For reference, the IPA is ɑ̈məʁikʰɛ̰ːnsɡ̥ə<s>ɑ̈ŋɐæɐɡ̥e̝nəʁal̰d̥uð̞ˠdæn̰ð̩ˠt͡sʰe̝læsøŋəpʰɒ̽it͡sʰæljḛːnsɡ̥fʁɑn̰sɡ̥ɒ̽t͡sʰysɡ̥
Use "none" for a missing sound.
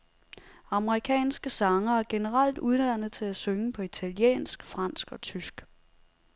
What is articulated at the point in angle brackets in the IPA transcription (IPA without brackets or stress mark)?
s